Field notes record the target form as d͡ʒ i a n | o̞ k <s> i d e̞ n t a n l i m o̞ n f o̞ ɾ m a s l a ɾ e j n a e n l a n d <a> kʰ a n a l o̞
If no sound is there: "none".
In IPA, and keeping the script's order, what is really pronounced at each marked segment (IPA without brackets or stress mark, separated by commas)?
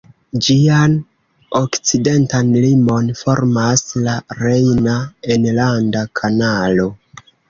t͡s, a